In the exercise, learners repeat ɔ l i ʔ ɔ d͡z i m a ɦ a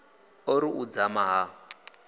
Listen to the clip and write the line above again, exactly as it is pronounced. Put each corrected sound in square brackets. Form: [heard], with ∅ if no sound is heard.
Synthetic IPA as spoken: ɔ [ɾ] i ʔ [u] d͡z [a] m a ɦ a